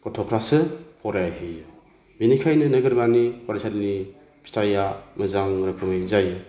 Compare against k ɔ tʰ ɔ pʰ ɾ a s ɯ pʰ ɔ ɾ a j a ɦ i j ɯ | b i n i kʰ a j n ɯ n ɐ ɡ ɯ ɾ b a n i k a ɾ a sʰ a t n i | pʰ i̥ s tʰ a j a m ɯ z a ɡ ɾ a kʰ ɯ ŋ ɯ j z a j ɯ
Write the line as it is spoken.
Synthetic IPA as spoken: k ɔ tʰ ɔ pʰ ɾ a s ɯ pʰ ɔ ɾ a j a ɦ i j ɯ | b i n i kʰ a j n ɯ n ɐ ɡ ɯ ɾ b a n i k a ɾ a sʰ a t n i | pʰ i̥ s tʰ a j a m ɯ z a ŋ ɾ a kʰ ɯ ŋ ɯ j z a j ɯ